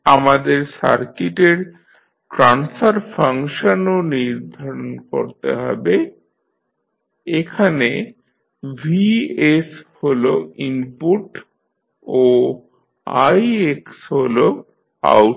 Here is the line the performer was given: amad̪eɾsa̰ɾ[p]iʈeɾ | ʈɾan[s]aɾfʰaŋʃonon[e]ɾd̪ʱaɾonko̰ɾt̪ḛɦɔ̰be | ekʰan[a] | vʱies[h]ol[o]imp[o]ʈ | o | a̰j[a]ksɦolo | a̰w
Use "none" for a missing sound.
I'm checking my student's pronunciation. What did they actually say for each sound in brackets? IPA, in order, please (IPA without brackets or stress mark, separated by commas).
k, s, i, e, h, o, u, e